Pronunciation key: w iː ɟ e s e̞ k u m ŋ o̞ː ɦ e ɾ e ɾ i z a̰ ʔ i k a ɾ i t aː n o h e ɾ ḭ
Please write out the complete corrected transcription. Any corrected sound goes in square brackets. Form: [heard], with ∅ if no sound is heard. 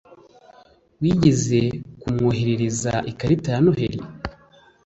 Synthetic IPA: w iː ɟ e [z] e̞ k u m ŋ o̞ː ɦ e ɾ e ɾ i z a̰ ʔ i k a ɾ i t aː n o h e ɾ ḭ